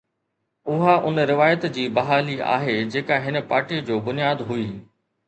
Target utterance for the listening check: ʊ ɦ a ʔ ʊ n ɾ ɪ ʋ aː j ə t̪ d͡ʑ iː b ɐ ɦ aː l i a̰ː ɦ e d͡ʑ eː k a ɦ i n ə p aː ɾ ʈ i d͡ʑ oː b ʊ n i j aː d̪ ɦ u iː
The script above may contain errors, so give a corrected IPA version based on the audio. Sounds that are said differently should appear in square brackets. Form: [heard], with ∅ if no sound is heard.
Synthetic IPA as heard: ʊ ɦ a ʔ ʊ n ɾ ɪ ʋ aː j ə t̪ d͡ʑ iː b ɐ ɦ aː l i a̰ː ɦ e d͡ʑ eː k a ɦ [ɪ] n ə p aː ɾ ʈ i d͡ʑ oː b ʊ n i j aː d̪ ɦ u iː